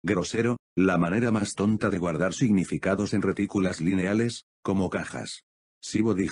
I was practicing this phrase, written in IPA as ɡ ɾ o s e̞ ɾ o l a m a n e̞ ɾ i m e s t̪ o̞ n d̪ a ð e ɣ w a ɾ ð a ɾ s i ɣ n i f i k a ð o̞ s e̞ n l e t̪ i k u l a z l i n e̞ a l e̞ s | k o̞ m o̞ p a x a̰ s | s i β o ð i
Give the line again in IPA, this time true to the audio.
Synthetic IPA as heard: ɡ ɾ o s e̞ ɾ o l a m a n e̞ ɾ a m a s t̪ o̞ n t̪ a ð e ɣ w a ɾ ð a ɾ s i ɣ n i f i k a ð o̞ s e̞ n r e t̪ i k u l a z l i n e̞ a l e̞ s | k o̞ m o̞ k a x a̰ s | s i β o ð i

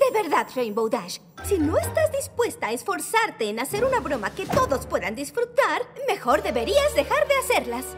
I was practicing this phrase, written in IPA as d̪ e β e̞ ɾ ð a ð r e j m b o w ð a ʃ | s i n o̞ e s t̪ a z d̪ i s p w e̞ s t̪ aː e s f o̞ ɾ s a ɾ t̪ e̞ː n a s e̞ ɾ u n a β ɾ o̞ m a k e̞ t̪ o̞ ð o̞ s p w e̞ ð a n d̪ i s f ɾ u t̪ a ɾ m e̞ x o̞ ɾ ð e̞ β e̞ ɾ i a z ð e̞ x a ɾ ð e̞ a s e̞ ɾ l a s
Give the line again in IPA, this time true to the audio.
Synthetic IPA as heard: d̪ e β e̞ ɾ ð a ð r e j m b o w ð a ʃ | s i n o̞ e s t̪ a z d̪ i s p w e̞ s t̪ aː e s f o̞ ɾ s a ɾ t̪ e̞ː n a s e̞ ɾ u n a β ɾ o̞ m a k e̞ t̪ o̞ ð o̞ s p w e̞ ð a n d̪ i s f ɾ u t̪ a ɾ m e̞ x o̞ ɾ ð e̞ β e̞ ɾ i a z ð e̞ x a ɾ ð e̞ a s e̞ ɾ l a s

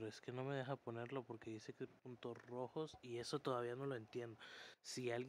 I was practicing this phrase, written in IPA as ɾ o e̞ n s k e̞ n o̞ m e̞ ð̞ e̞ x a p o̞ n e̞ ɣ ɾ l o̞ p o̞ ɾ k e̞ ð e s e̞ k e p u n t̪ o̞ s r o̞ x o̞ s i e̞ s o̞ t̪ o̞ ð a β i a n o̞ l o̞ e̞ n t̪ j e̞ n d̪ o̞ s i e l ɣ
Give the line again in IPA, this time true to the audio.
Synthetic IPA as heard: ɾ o e̞ s k e̞ n o̞ m e̞ ð̞ e̞ x a p o̞ n e̞ ɾ l o̞ p o̞ ɾ k e̞ ð i s e̞ k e p u n t̪ o̞ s r o̞ x o̞ s i e̞ s o̞ t̪ o̞ ð a β i a n o̞ l o̞ e̞ n t̪ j e̞ n d̪ o̞ s i a l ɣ

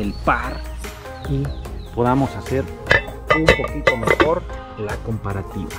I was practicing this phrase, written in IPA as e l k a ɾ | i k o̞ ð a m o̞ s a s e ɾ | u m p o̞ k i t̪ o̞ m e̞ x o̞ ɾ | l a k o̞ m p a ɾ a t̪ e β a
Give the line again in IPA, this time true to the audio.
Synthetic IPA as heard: e l p a ɾ | i p o̞ ð a m o̞ s a s e ɾ | u m p o̞ k i t̪ o̞ m e̞ x o̞ ɾ | l a k o̞ m p a ɾ a t̪ i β a

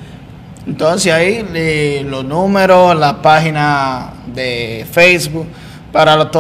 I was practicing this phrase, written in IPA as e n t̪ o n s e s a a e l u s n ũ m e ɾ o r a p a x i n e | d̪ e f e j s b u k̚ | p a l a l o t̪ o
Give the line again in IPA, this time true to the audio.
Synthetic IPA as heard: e n t̪ o n s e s a i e l o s n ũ m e ɾ o l a p a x i n a | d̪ e f e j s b u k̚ | p a ɾ a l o t̪ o

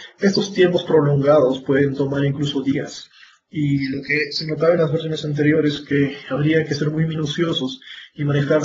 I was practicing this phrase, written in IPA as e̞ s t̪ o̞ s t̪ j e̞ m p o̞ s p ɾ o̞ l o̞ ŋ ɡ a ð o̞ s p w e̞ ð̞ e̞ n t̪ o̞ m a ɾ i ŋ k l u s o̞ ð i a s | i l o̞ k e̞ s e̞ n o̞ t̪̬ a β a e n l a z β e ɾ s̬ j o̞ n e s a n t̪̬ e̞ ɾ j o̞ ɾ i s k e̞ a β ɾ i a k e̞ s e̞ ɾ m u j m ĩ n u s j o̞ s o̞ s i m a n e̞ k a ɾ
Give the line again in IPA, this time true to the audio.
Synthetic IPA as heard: e̞ s t̪ o̞ s t̪ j e̞ m p o̞ s p ɾ o̞ l o̞ ŋ ɡ a ð o̞ s p w e̞ ð̞ e̞ n t̪ o̞ m a ɾ i ŋ k l u s o̞ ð i a s | i l o̞ k e̞ s e̞ n o̞ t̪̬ a β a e n l a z β e ɾ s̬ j o̞ n e s a n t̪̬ e̞ ɾ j o̞ ɾ e s k e̞ a β ɾ i a k e̞ s e̞ ɾ m u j m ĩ n u s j o̞ s o̞ s i m a n e̞ x a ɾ

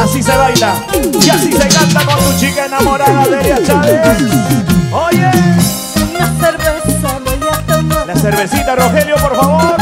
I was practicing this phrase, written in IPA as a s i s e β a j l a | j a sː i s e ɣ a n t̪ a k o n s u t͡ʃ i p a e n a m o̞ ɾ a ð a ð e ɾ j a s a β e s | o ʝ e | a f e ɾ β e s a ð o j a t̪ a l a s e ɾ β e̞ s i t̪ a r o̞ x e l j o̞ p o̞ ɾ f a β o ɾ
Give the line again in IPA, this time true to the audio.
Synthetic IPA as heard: a s i s e β a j l a | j a s i s e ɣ a n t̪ a k o n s u t͡ʃ i k a e n a m o̞ ɾ a ð a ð e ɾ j a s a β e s | o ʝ e | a s e ɾ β e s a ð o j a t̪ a l a s e ɾ β e̞ s i t̪ a r o̞ x e l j o̞ p o̞ ɾ f a β o ɾ

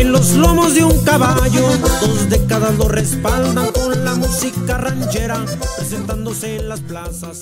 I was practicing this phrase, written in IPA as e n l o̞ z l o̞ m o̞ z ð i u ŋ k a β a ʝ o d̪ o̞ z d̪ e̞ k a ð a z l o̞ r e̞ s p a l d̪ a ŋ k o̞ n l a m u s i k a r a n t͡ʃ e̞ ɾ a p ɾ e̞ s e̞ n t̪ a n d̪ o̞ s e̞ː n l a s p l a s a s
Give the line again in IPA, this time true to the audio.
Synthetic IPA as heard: e n l o̞ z l o̞ m o̞ z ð e u ŋ k a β a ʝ o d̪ o̞ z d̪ e̞ k a ð a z l o̞ r e̞ s p a l d̪ a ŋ k o̞ n l a m u s i k a r a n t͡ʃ e̞ ɾ a p ɾ e̞ s e̞ n t̪ a n d̪ o̞ s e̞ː n l a s p l a s a s

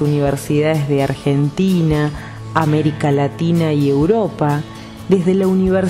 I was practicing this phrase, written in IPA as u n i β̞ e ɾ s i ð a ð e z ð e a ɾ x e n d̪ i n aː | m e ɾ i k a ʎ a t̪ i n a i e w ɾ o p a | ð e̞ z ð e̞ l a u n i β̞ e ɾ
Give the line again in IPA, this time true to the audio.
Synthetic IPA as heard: u n i β̞ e ɾ s i ð a ð e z ð e a ɾ x e n t̪ i n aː | m e ɾ i k a l a t̪ i n a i e w ɾ o p a | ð e̞ z ð e̞ l a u n i β̞ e ɾ

